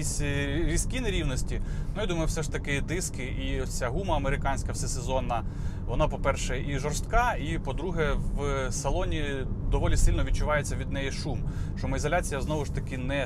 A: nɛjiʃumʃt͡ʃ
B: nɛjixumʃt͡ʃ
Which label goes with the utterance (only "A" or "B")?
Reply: A